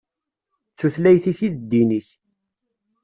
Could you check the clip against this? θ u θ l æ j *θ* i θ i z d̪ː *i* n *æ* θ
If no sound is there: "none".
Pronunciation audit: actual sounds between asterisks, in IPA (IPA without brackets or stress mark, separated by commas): θ, i, i